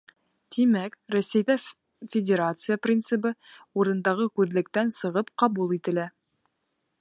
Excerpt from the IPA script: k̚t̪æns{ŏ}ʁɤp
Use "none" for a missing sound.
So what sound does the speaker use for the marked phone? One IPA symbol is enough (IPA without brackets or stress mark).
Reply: ɤ̆